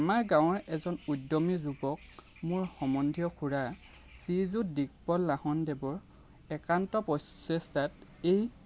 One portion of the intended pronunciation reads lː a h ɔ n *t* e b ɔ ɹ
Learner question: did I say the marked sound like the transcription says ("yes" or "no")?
no